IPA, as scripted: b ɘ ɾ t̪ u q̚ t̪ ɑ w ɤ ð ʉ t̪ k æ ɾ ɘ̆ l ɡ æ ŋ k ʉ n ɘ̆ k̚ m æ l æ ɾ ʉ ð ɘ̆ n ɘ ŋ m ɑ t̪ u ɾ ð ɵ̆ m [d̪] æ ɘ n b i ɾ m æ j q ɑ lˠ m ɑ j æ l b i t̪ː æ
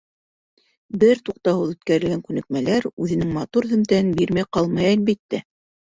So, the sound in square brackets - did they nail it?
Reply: no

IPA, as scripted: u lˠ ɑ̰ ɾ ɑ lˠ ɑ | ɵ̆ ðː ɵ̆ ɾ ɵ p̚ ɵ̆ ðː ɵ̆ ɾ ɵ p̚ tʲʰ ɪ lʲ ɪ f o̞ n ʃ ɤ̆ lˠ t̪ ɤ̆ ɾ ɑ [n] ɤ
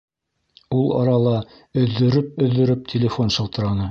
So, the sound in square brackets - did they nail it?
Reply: yes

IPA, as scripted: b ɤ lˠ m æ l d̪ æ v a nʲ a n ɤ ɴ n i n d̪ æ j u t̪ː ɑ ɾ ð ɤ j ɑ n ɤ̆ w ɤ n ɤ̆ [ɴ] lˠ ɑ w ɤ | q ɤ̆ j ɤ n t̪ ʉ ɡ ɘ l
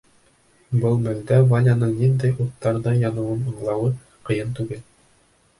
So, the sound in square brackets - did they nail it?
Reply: yes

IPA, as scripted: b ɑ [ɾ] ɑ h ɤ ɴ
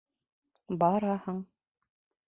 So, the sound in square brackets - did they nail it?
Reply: yes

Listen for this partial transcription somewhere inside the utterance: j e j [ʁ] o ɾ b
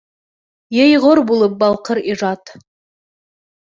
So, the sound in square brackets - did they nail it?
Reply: yes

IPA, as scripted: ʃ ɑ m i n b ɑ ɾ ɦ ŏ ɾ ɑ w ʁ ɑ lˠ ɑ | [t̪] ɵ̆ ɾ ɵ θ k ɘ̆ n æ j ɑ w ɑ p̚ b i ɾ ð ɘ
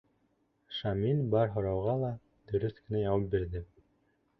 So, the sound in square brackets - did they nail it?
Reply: no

